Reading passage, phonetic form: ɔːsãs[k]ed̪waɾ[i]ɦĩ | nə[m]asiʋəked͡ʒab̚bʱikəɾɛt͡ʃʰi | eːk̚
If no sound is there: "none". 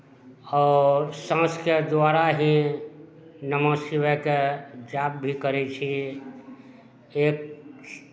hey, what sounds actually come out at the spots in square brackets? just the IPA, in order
k, a, m

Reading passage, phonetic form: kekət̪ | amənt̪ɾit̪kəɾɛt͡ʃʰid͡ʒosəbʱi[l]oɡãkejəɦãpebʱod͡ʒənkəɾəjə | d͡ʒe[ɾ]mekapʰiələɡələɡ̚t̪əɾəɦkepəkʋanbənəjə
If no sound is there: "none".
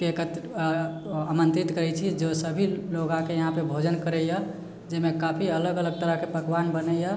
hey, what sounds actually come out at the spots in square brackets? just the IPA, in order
l, none

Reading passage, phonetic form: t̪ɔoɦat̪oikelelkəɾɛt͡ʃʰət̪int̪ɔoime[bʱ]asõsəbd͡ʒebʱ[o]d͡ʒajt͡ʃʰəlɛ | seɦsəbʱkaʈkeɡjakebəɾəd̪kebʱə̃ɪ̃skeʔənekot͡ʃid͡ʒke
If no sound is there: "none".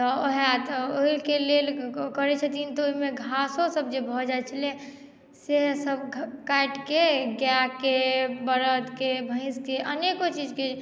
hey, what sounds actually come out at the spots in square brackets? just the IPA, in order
ɡʱ, ɔ

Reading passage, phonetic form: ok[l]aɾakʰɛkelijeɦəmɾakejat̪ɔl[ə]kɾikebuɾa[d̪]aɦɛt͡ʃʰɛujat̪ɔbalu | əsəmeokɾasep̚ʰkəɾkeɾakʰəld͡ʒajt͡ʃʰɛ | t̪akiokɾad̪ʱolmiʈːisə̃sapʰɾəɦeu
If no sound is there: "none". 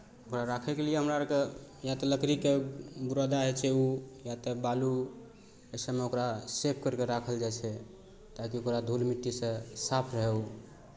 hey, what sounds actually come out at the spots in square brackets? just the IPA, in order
ɾ, ə, d̪

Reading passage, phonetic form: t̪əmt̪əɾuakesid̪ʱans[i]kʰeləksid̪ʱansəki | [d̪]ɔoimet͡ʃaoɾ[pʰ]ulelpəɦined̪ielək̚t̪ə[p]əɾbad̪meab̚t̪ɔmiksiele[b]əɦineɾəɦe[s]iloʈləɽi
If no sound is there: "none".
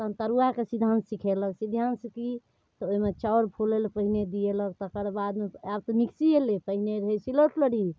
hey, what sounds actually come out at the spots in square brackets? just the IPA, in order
i, t̪, pʰ, k, p, s

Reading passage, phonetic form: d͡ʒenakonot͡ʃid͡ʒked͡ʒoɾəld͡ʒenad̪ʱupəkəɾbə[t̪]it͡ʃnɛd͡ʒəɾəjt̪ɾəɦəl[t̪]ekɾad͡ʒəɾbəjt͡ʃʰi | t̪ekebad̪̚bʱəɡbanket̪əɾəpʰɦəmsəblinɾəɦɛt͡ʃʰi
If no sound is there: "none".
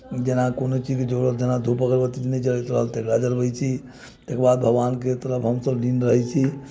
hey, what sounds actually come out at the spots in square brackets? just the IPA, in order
t̪, t̪

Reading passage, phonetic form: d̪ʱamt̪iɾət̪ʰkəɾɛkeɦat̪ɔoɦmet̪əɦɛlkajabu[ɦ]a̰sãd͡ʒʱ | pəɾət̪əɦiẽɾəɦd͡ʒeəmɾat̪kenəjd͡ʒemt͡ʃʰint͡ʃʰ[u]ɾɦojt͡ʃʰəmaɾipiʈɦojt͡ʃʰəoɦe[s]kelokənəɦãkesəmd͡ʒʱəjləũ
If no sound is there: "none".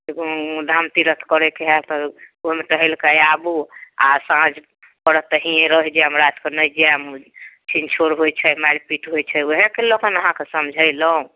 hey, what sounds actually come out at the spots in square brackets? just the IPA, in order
none, o, none

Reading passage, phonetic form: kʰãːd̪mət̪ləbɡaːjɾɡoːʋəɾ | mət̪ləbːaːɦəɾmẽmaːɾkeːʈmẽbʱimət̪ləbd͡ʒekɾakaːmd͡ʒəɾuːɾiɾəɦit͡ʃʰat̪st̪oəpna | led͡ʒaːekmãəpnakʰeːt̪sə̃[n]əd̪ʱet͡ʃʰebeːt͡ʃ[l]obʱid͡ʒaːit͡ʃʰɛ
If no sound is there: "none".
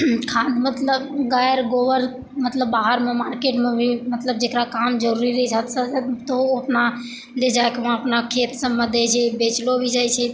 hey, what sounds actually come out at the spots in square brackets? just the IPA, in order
m, l

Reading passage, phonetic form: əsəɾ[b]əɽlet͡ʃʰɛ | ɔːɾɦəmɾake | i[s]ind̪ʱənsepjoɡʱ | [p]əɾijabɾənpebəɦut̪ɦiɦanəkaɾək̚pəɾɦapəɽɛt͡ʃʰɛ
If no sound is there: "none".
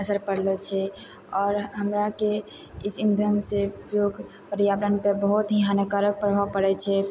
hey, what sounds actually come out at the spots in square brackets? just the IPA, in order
p, s, p

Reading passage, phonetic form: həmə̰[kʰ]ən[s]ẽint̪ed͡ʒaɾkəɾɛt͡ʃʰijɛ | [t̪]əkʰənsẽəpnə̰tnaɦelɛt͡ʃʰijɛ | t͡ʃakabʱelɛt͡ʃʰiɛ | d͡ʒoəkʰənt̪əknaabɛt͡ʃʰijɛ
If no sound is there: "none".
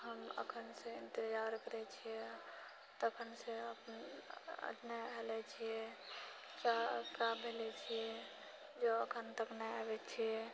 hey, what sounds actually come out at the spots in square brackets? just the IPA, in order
kʰ, s, t̪

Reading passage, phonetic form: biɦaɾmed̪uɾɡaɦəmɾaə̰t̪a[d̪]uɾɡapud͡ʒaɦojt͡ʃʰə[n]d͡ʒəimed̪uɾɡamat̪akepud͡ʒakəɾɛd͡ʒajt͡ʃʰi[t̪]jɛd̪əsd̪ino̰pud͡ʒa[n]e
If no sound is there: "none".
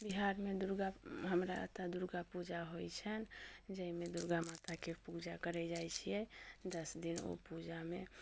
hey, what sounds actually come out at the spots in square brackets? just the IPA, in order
d̪, n, none, m

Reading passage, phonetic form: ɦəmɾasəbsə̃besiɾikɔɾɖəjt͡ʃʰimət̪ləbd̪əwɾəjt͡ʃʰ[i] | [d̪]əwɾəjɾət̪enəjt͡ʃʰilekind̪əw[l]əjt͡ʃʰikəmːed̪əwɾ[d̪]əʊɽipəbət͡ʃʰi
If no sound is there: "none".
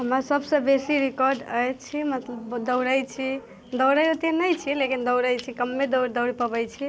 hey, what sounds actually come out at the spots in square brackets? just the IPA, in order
i, d̪, ɾ, d̪

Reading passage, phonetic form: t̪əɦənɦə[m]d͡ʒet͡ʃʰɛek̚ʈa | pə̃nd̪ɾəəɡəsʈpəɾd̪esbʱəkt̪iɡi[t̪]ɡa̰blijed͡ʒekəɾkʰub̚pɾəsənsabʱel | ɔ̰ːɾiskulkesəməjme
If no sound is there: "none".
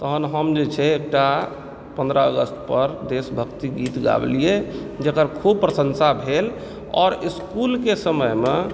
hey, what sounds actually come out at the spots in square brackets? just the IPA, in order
m, t̪

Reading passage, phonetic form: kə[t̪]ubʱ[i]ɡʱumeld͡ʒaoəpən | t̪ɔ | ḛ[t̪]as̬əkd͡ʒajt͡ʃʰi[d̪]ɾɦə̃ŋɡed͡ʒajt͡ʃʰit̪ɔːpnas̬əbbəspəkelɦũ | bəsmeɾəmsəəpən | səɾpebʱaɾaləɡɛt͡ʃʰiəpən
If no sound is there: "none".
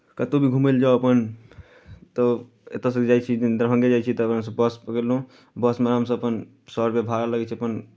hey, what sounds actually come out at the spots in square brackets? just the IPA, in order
t̪, i, t̪, d̪

